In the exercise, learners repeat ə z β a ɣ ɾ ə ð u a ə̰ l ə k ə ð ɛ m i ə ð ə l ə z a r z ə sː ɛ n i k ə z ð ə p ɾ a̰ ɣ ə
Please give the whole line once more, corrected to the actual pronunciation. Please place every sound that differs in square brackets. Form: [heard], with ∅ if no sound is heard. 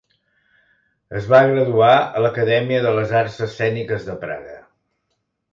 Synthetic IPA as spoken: ə z β a ɣ ɾ ə ð u a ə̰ l ə k ə ð ɛ m i ə ð ə l ə z a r [s] ə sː ɛ n i k ə z ð ə p ɾ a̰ ɣ ə